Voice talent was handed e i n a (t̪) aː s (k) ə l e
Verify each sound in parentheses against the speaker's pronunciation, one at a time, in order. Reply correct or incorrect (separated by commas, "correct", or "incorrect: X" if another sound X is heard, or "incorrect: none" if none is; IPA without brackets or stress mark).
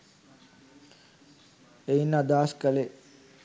incorrect: d̪, correct